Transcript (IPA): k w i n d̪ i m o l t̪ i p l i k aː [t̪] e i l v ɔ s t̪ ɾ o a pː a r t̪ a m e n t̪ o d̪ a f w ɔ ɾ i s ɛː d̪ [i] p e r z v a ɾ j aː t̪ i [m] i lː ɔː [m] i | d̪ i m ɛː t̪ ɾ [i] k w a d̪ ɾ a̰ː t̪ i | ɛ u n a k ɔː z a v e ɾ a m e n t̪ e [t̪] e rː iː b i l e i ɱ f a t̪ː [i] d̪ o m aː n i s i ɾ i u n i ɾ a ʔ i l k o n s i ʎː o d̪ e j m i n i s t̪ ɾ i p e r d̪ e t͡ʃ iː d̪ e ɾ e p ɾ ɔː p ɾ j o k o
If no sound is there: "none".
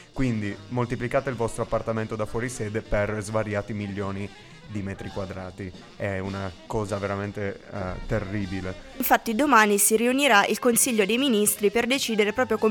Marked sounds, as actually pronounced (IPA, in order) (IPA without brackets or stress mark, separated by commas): t̪, e, m, n, i, t̪, i